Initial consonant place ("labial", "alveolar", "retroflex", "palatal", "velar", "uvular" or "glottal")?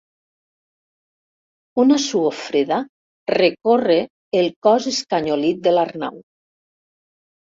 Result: alveolar